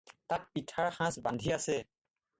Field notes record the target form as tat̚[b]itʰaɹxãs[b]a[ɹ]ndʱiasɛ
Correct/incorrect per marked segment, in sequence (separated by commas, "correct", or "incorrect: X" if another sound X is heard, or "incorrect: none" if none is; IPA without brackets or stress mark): incorrect: p, correct, incorrect: none